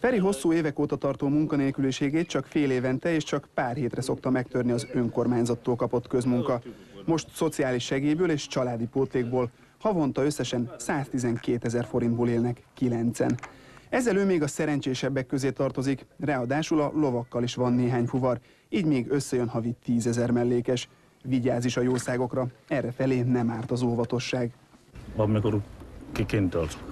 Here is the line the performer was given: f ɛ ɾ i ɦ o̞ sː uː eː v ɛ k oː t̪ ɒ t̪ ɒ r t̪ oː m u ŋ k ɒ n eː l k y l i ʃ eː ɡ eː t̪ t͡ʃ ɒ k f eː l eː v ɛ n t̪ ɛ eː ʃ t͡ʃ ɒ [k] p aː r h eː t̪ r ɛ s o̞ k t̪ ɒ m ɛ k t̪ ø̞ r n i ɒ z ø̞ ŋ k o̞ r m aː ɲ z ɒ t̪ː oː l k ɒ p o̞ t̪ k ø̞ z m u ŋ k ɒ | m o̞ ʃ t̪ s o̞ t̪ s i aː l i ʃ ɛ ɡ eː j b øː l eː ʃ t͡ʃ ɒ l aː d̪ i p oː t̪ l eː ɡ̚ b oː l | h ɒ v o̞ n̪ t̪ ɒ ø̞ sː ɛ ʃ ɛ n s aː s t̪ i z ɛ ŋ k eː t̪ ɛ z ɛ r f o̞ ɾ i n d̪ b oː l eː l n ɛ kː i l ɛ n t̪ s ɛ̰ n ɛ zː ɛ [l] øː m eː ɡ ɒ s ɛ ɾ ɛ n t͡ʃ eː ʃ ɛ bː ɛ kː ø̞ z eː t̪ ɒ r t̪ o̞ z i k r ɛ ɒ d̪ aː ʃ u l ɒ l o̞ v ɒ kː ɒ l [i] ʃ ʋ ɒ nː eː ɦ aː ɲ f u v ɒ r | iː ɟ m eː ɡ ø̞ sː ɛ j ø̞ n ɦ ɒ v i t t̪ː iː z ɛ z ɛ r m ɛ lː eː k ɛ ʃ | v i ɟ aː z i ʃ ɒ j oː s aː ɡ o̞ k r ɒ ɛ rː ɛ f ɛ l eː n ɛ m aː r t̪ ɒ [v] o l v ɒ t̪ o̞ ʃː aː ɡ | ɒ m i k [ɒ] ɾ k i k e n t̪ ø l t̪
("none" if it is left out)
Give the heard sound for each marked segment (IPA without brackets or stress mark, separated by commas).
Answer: k, l, i, z, o